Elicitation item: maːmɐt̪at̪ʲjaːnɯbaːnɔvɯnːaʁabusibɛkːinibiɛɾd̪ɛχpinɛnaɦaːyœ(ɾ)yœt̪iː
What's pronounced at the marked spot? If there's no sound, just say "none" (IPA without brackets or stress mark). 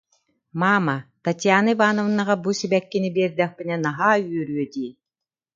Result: ɾ